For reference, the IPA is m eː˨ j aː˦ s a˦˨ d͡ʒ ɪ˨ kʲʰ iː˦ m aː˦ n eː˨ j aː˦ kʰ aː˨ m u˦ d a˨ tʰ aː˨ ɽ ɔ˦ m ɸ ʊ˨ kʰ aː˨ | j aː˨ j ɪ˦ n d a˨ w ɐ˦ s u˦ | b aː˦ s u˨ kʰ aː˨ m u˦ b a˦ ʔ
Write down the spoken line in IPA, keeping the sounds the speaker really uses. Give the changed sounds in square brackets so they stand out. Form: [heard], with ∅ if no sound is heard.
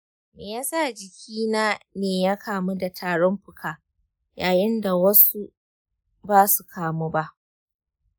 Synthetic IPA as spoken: m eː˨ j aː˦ s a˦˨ d͡ʒ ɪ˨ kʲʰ iː˦ [n] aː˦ n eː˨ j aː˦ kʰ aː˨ m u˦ d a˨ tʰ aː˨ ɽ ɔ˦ m ɸ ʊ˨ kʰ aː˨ | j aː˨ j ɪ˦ n d a˨ w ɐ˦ s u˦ | b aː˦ s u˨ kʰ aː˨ m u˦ b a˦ ʔ

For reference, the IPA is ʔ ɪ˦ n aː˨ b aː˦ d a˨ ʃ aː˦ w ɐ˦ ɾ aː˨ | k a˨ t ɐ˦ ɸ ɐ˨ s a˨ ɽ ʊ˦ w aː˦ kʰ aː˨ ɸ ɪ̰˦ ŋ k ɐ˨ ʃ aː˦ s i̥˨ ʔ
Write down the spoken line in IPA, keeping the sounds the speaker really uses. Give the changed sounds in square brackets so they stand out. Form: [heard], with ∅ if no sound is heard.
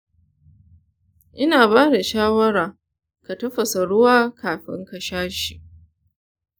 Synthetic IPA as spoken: ʔ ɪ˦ n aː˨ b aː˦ d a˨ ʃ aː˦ w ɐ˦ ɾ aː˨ | k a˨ t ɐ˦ ɸ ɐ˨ s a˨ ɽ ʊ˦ w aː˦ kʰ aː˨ ɸ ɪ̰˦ ŋ k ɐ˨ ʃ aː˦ [ʃ] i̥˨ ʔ

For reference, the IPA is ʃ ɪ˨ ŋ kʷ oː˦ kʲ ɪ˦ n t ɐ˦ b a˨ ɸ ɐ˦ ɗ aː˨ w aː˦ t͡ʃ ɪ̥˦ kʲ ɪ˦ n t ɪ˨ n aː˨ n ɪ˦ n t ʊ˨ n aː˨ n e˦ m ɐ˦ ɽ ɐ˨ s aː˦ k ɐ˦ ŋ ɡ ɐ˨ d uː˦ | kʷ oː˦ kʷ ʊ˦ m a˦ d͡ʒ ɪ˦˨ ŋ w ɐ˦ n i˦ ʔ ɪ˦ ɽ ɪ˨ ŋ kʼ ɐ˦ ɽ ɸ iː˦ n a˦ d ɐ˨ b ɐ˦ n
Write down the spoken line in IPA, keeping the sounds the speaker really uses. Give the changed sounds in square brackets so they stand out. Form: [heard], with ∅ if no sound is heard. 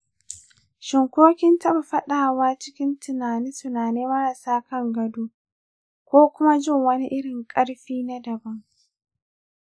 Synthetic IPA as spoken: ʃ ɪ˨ ŋ kʷ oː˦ kʲ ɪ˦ n t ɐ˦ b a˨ ɸ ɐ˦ ɗ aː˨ w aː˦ t͡ʃ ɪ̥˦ kʲ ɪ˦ n t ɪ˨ n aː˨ n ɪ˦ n t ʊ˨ n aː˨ n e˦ m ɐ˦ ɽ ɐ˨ s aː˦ k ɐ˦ ŋ ɡ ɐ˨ d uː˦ | kʷ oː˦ kʷ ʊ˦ m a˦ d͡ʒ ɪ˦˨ ŋ w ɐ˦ n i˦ ʔ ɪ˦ ɽ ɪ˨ ŋ kʼ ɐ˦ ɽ ɸ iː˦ n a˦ d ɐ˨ b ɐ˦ [ŋ]

